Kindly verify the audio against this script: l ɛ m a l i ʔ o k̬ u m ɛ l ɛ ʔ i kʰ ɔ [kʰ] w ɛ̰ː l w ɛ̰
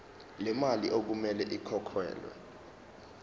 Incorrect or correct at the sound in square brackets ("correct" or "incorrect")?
correct